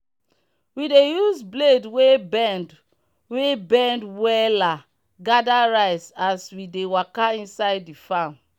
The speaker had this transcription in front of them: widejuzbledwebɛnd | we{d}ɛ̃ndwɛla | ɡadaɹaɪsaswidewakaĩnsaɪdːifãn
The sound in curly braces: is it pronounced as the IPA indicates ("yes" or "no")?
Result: no